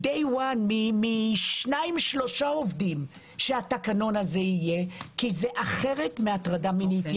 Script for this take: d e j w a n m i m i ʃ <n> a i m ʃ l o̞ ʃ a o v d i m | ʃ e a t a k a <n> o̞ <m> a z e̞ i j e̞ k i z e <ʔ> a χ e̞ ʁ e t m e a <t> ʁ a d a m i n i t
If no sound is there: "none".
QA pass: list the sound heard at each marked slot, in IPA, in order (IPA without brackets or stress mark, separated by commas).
n, n, n, ʔ, t